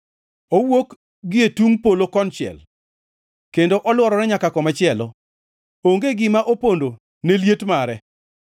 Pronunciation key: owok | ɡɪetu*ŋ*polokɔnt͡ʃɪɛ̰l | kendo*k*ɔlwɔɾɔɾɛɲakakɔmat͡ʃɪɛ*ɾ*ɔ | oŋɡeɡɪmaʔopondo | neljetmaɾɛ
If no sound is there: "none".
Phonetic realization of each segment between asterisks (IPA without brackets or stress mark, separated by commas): ŋ, ʔ, l